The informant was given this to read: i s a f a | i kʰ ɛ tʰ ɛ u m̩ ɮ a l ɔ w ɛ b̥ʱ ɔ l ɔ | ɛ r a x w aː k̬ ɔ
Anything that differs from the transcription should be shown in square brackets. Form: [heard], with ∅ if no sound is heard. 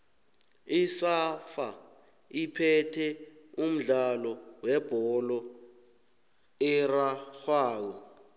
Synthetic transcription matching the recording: i s a f a | i [pʰ] ɛ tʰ ɛ u m̩ ɮ a l ɔ w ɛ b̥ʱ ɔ l ɔ | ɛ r a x w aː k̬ ɔ